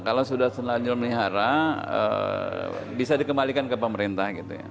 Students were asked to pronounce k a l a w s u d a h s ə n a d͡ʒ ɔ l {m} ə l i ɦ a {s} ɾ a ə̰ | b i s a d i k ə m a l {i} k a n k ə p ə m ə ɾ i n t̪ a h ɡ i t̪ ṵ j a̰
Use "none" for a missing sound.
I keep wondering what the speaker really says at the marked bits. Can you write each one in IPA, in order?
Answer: m, none, i

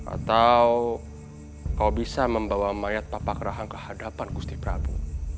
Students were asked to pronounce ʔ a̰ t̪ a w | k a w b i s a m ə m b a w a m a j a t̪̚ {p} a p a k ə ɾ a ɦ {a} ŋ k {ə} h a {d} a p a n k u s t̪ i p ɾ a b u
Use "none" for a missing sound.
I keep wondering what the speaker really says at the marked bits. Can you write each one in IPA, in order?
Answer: p, a, ə, d

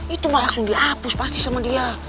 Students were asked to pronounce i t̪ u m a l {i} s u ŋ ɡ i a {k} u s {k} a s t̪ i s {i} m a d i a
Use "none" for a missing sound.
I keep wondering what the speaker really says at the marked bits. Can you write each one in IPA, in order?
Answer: a, p, p, a

